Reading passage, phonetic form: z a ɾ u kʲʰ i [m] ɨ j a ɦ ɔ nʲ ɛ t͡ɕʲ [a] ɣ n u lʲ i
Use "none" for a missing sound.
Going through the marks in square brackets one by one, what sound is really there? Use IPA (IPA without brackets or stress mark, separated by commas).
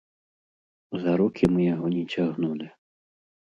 m, a